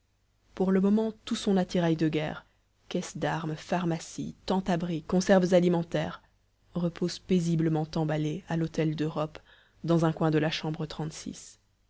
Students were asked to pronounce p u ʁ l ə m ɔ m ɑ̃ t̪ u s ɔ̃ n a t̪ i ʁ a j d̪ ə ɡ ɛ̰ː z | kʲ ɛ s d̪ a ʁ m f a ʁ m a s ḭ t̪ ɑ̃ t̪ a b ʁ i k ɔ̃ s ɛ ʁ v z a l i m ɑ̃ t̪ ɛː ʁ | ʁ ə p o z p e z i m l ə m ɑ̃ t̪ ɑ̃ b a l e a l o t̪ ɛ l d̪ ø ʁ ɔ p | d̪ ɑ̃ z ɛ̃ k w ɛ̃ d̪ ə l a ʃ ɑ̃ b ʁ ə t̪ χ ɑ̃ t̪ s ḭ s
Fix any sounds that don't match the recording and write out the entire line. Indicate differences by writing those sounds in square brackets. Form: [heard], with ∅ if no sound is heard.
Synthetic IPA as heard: p u ʁ l ə m ɔ m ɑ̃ t̪ u s ɔ̃ n a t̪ i ʁ a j d̪ ə ɡ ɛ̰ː [ʁ] | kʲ ɛ s d̪ a ʁ m f a ʁ m a s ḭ t̪ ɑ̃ t̪ a b ʁ i k ɔ̃ s ɛ ʁ v z a l i m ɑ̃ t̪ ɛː ʁ | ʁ ə p o z p e z i [b] l ə m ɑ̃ t̪ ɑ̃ b a l e a l o t̪ ɛ l d̪ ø ʁ ɔ p | d̪ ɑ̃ z ɛ̃ k w ɛ̃ d̪ ə l a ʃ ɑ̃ b ʁ ə t̪ χ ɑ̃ t̪ s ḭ s